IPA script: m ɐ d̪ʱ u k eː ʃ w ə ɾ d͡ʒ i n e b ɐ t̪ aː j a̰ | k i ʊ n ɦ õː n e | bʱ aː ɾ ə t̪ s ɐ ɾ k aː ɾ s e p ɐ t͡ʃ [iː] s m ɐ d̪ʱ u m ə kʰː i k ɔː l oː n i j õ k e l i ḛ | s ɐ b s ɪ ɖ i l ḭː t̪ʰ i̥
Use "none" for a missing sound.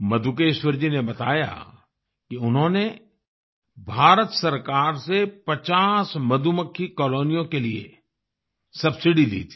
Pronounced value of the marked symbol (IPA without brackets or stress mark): aː